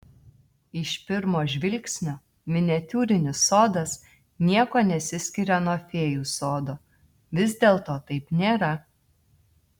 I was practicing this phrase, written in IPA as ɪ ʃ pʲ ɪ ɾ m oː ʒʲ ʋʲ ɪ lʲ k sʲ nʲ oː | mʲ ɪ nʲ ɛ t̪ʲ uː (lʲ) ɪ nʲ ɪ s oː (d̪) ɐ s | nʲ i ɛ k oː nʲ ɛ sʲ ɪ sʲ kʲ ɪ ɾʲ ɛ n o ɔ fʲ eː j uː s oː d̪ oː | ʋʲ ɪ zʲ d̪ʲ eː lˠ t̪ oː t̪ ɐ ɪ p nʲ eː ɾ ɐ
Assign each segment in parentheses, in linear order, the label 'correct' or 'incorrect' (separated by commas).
incorrect, correct